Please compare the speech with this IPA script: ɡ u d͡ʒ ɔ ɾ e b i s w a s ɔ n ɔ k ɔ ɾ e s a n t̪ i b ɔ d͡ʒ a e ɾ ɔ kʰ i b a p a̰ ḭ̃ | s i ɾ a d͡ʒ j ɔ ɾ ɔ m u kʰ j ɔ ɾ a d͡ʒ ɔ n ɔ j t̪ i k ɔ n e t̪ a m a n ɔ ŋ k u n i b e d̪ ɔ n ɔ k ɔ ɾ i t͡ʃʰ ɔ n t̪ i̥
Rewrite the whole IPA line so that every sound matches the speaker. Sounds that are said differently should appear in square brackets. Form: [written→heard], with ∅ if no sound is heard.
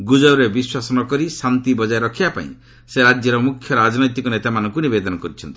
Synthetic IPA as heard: ɡ u d͡ʒ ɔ ɾ e b i s w a s ɔ n ɔ k ɔ ɾ [e→i] s a n t̪ i b ɔ d͡ʒ a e ɾ ɔ kʰ i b a p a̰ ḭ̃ | s [i→e] ɾ a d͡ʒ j ɔ ɾ ɔ m u kʰ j ɔ ɾ a d͡ʒ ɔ n ɔ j t̪ i k ɔ n e t̪ a m a n ɔ ŋ k u n i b e d̪ ɔ n ɔ k ɔ ɾ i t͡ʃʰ ɔ n t̪ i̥